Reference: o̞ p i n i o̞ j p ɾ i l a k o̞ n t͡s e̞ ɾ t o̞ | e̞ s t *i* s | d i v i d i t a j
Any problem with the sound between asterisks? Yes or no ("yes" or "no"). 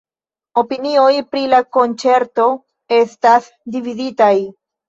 yes